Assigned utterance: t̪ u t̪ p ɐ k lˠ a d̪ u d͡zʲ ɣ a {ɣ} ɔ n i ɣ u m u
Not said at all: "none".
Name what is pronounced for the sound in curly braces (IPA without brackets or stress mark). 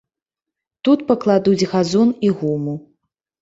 z